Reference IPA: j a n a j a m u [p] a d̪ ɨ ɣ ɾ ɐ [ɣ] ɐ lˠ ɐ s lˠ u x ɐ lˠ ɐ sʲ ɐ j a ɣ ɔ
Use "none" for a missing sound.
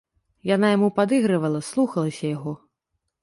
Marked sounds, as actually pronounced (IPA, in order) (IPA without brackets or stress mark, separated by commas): p, v